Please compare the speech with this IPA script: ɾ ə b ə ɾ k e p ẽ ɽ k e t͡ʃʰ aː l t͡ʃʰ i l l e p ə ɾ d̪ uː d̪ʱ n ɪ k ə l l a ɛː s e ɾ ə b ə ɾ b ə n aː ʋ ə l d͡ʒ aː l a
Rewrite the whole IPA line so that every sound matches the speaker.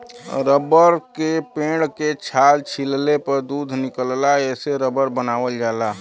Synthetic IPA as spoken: ɾ ə b ə ɾ k e p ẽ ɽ k e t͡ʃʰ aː l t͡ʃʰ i l l e p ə ɾ d̪ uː d̪ʱ n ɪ k ə l l a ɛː s e ɾ ə b ə ɾ b ə n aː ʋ ə l d͡ʒ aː l a